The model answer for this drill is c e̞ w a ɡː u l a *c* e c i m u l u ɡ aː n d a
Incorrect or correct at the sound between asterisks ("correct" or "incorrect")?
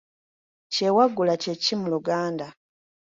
correct